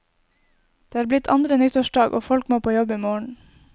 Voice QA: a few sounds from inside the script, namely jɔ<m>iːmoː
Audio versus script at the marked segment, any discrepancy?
yes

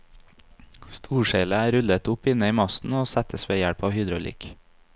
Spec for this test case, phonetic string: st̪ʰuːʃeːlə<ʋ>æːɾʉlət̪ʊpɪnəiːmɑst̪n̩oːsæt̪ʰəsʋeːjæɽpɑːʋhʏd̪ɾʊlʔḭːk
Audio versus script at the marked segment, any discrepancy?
yes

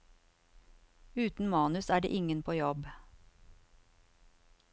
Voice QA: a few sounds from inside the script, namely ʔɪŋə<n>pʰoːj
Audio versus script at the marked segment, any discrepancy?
no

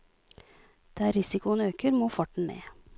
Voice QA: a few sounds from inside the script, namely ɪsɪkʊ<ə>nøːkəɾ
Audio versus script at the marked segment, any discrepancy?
no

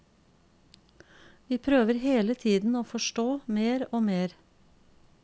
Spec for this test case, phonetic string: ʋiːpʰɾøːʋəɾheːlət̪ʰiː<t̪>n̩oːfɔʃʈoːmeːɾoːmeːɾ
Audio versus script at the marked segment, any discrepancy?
yes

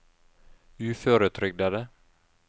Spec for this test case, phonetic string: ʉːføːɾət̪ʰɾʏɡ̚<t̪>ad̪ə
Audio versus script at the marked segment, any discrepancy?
yes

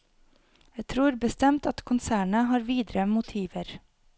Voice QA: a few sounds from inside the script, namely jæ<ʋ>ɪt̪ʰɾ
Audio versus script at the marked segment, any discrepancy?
yes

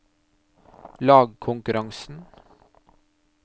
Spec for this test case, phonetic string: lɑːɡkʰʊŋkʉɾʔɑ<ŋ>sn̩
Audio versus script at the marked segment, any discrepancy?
no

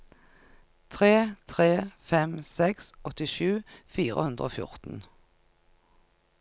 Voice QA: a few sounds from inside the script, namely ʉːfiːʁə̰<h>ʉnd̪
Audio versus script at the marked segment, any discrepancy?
no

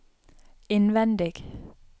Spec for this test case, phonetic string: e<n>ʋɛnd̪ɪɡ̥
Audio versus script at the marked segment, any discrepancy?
no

